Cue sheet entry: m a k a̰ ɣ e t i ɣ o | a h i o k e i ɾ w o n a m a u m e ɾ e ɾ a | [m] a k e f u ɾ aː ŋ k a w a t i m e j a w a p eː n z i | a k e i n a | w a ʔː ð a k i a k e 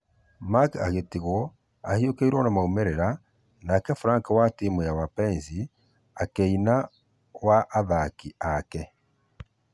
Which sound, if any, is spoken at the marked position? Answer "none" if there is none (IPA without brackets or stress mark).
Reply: n